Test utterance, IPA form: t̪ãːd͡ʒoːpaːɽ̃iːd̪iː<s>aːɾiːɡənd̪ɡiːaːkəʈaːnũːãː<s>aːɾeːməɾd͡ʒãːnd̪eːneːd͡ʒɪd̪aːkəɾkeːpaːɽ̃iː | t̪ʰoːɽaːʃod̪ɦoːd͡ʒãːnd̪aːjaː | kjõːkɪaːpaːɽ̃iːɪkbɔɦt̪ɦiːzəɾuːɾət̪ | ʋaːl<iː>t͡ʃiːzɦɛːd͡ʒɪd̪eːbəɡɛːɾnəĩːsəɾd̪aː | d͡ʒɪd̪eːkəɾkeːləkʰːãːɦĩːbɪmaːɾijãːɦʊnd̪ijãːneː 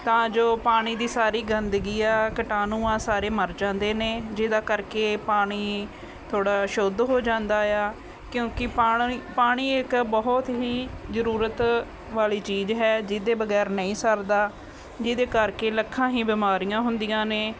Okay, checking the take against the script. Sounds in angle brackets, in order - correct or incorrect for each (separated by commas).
correct, correct, correct